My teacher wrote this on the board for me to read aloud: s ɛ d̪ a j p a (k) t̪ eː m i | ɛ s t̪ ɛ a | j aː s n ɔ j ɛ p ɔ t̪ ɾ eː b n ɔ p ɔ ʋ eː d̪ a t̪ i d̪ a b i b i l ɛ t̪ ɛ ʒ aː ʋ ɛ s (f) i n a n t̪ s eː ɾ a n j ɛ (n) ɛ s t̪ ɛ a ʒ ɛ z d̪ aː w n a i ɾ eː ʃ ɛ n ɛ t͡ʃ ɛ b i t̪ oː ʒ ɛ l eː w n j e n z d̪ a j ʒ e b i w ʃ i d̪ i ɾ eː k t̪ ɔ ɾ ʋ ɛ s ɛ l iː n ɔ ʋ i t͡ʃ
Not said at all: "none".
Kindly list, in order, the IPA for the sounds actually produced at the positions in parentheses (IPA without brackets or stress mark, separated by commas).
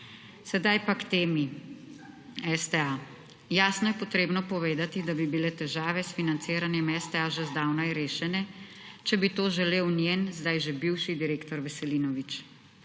k, f, m